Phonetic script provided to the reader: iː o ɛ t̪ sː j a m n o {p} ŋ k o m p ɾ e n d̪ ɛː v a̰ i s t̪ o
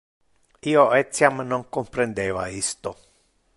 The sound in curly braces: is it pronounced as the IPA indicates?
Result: no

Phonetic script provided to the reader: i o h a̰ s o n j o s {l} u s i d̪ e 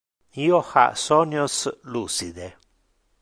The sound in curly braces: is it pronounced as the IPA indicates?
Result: yes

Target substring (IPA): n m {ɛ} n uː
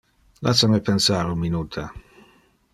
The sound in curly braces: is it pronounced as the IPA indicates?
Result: no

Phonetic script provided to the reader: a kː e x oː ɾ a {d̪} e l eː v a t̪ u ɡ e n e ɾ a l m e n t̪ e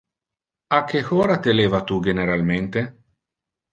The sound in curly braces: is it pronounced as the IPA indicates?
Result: no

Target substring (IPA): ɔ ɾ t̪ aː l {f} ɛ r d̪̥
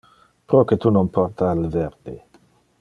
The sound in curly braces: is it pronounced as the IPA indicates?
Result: no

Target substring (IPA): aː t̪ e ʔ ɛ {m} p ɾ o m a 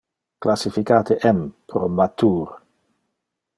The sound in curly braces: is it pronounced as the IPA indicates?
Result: yes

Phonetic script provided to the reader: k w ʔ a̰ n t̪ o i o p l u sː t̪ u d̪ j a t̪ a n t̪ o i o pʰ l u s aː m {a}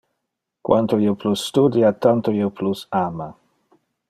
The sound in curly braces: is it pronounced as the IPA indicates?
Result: yes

